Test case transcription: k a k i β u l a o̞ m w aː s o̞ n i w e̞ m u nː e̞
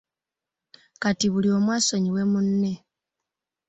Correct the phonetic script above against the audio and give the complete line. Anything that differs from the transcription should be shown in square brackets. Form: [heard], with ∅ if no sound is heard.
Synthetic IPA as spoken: k a [t] i β u l [i] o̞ m w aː s o̞ [ɲ] i w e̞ m u nː e̞